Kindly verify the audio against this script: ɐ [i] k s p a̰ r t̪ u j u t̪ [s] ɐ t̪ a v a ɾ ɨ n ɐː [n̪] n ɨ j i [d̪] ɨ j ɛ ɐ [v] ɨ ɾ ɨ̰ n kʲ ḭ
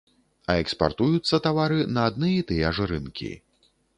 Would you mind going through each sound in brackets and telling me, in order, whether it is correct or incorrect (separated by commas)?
incorrect, incorrect, incorrect, incorrect, incorrect